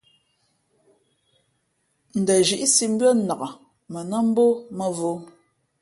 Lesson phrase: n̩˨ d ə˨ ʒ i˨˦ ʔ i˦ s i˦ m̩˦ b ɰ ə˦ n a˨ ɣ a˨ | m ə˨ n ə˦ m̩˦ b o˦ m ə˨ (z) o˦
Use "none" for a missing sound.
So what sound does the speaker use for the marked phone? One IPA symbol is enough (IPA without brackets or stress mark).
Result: v